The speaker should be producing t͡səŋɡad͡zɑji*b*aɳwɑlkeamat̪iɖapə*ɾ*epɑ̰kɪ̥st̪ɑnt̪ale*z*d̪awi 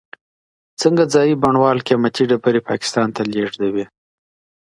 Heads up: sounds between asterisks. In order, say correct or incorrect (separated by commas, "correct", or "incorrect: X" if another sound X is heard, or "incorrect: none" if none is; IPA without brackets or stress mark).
correct, correct, incorrect: ʐ